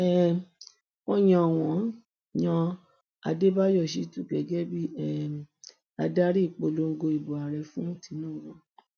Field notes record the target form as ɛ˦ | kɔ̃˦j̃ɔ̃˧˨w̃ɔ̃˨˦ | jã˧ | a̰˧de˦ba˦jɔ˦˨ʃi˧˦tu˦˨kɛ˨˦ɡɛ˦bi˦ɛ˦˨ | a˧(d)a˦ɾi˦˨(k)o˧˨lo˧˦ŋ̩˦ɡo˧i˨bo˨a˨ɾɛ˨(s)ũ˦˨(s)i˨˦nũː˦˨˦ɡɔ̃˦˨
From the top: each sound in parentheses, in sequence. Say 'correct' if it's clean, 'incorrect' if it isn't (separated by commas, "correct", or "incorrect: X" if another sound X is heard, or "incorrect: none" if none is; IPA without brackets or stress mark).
correct, incorrect: k͡p, incorrect: f, incorrect: t